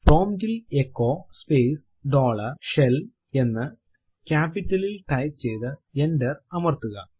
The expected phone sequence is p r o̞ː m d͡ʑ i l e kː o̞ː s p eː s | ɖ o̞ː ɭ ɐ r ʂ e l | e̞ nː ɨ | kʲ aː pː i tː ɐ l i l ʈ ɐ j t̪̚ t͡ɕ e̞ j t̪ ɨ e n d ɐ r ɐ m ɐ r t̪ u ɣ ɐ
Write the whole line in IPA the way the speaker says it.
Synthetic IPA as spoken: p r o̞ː m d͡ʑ i l e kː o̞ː s p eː s | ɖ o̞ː ɭ ɐ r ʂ e l | e̞ nː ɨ | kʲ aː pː i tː ɐ l i l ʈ ɐ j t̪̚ t͡ɕ e̞ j t̪ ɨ e n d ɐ r ɐ m ɐ r t̪ u ɣ ɐ